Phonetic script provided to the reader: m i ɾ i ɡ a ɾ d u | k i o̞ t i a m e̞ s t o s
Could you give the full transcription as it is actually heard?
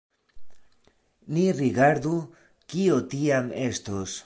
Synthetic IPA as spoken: n i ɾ i ɡ a ɾ d u | k i o̞ t i a m e̞ s t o s